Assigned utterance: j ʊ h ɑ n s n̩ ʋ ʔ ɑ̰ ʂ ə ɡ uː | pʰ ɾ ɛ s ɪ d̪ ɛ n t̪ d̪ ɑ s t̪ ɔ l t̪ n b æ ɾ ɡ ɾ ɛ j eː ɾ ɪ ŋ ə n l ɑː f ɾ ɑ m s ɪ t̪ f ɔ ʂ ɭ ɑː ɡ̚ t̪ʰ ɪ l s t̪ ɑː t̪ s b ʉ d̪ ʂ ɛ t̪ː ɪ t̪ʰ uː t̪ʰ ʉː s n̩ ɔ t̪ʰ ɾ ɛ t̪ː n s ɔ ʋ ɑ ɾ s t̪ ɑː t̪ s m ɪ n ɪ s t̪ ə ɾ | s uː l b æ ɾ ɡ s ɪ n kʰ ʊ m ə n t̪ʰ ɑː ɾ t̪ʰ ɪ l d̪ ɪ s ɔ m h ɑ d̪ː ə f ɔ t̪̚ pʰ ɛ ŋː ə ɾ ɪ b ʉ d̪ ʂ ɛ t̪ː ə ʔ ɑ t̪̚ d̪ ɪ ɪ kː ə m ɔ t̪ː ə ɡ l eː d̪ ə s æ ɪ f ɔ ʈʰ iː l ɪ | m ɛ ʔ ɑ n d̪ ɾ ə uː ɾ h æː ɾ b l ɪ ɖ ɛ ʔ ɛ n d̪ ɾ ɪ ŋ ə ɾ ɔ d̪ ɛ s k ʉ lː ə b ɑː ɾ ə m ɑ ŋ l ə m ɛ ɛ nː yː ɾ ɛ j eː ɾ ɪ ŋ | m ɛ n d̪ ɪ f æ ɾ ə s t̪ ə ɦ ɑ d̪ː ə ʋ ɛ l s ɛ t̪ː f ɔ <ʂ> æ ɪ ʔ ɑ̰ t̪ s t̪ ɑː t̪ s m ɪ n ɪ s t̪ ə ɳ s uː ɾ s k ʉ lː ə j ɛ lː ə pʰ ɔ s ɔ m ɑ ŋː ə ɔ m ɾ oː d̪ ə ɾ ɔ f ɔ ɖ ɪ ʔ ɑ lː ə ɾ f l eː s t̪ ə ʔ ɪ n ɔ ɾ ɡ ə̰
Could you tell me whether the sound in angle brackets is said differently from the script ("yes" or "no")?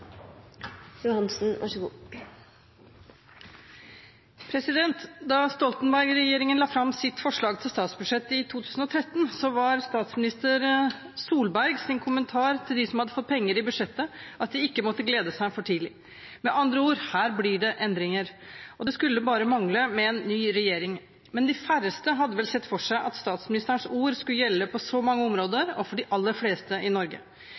no